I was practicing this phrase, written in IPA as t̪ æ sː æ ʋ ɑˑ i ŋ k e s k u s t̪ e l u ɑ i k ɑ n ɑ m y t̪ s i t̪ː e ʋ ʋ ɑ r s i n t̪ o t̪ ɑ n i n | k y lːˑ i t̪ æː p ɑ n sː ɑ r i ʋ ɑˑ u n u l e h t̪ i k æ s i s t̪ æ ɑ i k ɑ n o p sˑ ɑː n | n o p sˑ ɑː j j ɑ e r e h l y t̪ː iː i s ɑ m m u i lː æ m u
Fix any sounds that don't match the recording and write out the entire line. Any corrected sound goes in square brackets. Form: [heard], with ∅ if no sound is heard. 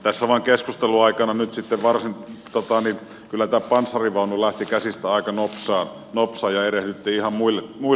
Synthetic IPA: t̪ æ sː æ ʋ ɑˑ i ŋ k e s k u s t̪ e l u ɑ i k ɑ n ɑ [n] y t̪ s i t̪ː e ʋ ʋ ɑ r s i n t̪ o t̪ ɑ n i n | k y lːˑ [æ] t̪ æː p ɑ n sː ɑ r i ʋ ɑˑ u n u l [æ] h t̪ i k æ s i s t̪ æ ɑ i k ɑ n o p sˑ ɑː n | n o p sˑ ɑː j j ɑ e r e h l y t̪ː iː i [h] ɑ m m u i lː [e] m u